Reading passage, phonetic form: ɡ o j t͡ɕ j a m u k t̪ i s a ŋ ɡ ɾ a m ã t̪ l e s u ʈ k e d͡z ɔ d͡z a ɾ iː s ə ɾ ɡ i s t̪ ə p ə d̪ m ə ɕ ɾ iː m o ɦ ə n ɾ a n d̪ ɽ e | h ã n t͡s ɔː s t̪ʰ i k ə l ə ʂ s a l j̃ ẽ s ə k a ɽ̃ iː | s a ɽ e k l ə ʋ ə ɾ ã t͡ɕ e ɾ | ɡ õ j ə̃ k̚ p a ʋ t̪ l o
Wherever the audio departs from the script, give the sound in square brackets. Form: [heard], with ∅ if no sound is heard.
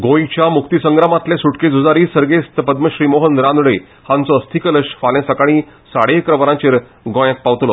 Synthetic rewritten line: ɡ o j t͡ɕ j a m u k t̪ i s [ə] ŋ ɡ ɾ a m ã t̪ l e s u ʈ k e d͡z [u] d͡z a ɾ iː s ə ɾ ɡ [e] s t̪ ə p ə d̪ m ə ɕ ɾ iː m o ɦ ə n ɾ a n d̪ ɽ e | h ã n t͡s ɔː s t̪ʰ i k ə l ə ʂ [f] a l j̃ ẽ s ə k a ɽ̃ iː | s a ɽ e k [ɾ] ə ʋ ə ɾ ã t͡ɕ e ɾ | ɡ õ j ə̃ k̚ p a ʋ t̪ l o